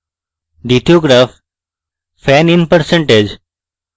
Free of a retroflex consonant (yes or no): no